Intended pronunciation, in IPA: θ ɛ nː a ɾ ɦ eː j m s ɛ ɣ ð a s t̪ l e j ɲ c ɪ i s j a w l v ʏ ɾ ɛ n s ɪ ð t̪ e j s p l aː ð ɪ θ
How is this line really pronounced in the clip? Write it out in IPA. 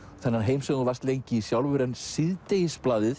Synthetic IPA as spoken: θ ɛ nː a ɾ ɦ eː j m s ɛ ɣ v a s t̪ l e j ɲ c ɪ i s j a w l v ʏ ɾ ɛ n s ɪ ð t̪ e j s p l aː ð ɪ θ